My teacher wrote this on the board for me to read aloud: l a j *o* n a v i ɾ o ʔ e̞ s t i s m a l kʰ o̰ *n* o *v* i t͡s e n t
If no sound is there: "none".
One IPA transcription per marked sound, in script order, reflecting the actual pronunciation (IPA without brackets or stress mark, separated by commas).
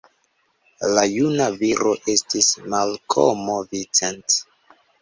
u, m, v